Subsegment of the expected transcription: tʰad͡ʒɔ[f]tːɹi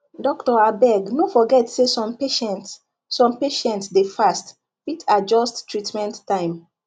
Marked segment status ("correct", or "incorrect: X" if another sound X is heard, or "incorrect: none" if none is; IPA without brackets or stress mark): incorrect: s